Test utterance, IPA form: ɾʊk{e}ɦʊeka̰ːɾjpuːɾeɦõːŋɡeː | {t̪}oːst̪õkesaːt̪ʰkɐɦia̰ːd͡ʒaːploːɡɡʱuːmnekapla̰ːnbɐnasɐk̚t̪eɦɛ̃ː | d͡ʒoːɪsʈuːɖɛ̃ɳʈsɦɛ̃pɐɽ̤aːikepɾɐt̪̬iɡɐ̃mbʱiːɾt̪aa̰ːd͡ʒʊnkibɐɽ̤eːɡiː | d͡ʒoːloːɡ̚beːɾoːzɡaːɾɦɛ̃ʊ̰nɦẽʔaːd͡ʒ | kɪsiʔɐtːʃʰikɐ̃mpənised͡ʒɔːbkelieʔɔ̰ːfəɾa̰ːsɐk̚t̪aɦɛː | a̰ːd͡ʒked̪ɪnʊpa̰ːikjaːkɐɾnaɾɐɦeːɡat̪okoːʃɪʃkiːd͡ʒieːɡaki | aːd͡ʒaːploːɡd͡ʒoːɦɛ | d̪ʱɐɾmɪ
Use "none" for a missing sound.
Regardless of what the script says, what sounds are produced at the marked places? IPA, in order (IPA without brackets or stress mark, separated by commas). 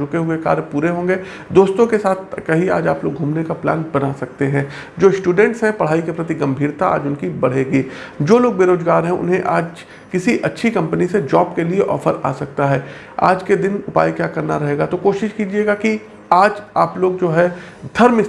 e, d̪